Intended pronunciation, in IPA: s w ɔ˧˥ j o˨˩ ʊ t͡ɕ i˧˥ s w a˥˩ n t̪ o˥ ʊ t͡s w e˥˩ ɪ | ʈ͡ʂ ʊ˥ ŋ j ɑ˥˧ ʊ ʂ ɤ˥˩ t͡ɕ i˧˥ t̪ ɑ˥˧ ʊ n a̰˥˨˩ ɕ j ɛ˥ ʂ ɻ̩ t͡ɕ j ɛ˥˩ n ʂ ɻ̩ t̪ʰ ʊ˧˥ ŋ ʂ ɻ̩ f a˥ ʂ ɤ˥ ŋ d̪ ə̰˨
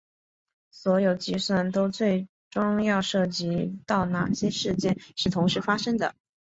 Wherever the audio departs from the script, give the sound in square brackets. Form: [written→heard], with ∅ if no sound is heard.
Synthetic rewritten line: s w ɔ˧˥ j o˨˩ ʊ t͡ɕ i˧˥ s w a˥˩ n t̪ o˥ ʊ t͡s w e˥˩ ɪ | ʈ͡ʂ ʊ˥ ŋ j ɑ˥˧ ʊ ʂ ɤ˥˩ t͡ɕ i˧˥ t̪ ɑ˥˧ ʊ n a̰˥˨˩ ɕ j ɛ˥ ʂ ɻ̩ t͡ɕ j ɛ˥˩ n ʂ ɻ̩ t̪ʰ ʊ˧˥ ŋ ʂ ɻ̩ f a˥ ʂ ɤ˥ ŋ d̪ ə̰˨